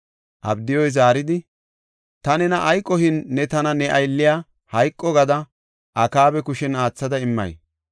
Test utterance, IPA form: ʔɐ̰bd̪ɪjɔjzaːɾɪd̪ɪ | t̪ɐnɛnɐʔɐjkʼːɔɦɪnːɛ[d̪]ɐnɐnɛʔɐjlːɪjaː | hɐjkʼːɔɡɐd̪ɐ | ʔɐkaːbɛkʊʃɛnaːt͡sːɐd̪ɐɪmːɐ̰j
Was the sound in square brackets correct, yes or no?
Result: no